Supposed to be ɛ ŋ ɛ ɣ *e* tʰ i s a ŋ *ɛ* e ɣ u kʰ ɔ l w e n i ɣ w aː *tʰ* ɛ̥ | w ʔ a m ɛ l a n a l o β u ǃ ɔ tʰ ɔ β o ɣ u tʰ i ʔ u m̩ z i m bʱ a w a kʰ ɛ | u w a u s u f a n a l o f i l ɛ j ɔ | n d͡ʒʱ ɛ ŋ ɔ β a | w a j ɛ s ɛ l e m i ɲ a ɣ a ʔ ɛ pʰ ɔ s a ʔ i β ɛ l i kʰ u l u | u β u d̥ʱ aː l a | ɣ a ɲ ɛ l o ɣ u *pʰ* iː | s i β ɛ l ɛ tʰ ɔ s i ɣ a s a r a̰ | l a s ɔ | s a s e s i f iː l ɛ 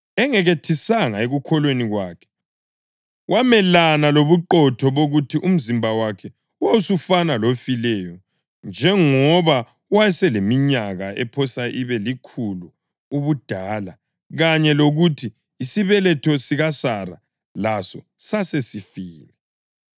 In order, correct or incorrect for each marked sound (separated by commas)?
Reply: correct, incorrect, incorrect, incorrect